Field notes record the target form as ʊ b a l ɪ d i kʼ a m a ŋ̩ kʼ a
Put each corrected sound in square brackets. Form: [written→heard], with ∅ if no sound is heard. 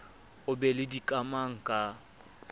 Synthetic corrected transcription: ʊ b [a→ɛ] l ɪ d i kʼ a m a ŋ̩ kʼ a

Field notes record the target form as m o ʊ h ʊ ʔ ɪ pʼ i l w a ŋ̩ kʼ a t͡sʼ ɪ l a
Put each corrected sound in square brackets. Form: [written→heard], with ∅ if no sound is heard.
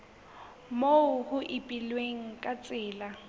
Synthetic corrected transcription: m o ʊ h ʊ ʔ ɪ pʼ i l w [a→e] ŋ̩ kʼ a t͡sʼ [ɪ→ɪː] l a

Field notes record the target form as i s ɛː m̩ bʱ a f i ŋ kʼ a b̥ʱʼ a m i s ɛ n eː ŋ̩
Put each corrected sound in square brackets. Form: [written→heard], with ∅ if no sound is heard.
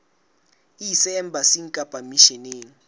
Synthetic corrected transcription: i s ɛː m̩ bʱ a [f→s] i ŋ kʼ a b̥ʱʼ a m i [s→ʃ] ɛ n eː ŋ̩

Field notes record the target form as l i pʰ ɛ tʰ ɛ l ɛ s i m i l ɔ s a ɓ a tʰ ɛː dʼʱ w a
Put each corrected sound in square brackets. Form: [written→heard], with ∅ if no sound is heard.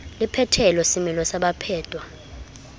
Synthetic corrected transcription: l i pʰ ɛ tʰ ɛ l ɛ s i m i l ɔ s a ɓ a [tʰ→pʰ] ɛː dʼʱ w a

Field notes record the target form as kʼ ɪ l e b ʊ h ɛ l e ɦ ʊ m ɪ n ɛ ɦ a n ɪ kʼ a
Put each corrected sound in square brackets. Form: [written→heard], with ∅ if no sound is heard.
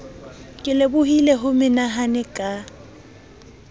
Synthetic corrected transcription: kʼ ɪ l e b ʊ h [ɛ→i] l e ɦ ʊ m ɪ n [ɛ→a] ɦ a n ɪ kʼ a

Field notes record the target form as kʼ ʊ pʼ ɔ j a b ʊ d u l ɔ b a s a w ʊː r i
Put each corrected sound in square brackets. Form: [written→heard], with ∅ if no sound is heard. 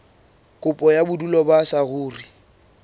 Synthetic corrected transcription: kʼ ʊ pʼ ɔ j a b ʊ d u l ɔ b a s a [w→ɣ] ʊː r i

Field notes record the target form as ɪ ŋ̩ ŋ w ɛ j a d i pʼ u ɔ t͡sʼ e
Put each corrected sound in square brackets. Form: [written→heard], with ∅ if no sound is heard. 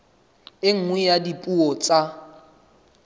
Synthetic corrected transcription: ɪ ŋ̩ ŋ w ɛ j a d i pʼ u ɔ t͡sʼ [e→a]

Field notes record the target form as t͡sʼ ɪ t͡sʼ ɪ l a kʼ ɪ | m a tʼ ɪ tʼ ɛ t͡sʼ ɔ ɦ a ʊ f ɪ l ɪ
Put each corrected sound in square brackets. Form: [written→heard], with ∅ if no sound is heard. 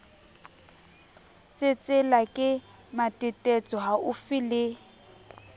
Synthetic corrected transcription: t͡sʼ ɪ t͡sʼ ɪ l a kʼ ɪ | m a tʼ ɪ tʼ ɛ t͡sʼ ɔ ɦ a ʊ f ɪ l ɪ

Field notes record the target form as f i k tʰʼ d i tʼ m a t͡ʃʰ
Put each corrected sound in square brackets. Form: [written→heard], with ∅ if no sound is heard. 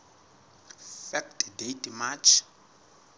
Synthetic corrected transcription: f [i→ɛ] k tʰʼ d [i→e] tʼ m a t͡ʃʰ

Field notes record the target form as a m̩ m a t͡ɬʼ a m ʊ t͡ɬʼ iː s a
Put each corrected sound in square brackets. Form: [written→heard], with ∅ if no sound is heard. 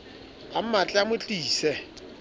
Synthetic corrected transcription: a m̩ m a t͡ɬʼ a m ʊ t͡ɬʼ iː s [a→ɛ]

